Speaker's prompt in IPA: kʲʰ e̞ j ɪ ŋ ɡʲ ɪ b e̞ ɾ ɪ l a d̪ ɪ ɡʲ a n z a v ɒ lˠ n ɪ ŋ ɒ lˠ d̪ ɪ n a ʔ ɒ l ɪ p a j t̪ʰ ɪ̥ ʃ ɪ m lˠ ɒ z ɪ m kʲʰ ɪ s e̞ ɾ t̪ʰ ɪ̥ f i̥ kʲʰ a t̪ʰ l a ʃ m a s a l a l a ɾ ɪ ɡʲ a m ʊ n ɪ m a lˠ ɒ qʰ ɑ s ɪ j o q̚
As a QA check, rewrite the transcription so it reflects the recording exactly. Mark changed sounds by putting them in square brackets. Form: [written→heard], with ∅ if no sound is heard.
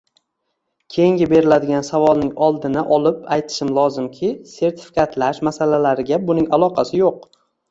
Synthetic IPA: kʲʰ e̞ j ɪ ŋ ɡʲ ɪ b e̞ ɾ ɪ l a d̪ ɪ ɡʲ a n [z→s] a v ɒ lˠ n ɪ ŋ ɒ lˠ d̪ ɪ n a ʔ ɒ l ɪ p a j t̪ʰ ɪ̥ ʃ ɪ m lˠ ɒ z ɪ m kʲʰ ɪ s e̞ ɾ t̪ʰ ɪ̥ f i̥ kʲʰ a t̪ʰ l a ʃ m a s a l a l a ɾ ɪ ɡʲ a [m→b] ʊ n ɪ [m→ŋ] a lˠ ɒ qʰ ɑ s ɪ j o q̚